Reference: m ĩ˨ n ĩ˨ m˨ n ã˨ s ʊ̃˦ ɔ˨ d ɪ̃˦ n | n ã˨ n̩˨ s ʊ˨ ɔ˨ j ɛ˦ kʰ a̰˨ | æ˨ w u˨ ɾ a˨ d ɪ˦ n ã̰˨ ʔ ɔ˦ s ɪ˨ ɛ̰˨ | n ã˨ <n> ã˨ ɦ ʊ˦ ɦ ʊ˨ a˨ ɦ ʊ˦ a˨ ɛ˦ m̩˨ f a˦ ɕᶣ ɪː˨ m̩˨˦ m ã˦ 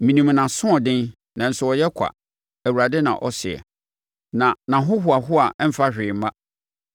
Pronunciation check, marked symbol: correct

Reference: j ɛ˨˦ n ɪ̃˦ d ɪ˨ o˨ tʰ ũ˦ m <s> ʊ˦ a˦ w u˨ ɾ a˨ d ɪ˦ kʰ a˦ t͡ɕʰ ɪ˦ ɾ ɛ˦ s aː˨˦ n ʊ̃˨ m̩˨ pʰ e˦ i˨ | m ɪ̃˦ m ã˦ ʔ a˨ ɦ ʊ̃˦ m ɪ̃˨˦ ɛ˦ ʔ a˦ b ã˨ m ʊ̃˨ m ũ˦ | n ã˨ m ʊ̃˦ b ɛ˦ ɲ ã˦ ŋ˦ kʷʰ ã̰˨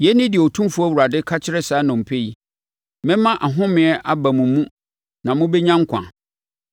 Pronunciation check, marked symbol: incorrect: f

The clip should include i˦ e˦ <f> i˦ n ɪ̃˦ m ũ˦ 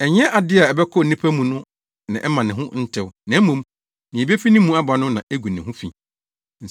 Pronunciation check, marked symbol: correct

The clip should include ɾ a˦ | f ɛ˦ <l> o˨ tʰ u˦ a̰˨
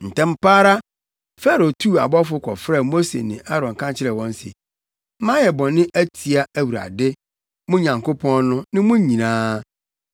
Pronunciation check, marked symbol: incorrect: ɾ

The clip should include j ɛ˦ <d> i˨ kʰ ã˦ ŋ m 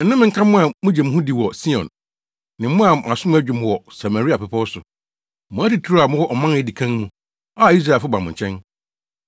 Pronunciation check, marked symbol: correct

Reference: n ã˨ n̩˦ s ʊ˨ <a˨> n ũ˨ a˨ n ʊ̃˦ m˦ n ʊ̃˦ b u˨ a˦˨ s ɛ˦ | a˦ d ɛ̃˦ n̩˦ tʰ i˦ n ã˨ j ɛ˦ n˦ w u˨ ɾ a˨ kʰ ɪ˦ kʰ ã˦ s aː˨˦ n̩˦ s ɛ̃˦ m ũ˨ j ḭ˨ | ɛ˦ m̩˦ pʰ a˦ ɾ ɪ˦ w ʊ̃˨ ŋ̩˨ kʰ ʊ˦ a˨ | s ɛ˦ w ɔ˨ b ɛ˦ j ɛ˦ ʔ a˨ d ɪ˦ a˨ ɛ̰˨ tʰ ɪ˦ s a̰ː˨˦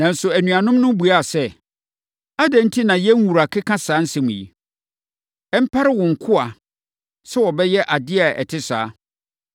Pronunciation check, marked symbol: incorrect: æ˨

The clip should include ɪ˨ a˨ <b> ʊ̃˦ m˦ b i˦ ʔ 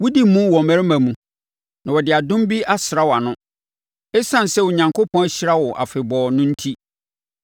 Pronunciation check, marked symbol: incorrect: d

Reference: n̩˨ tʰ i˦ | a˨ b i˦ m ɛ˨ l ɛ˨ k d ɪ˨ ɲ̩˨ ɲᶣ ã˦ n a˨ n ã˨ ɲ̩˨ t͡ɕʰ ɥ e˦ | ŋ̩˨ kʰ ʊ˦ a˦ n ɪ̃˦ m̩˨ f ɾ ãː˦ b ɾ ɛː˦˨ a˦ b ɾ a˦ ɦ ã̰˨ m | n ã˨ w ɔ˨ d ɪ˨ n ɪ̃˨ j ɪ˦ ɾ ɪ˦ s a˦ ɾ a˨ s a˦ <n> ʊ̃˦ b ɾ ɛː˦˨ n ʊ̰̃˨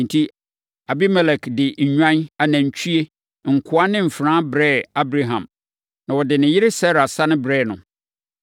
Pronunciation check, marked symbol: correct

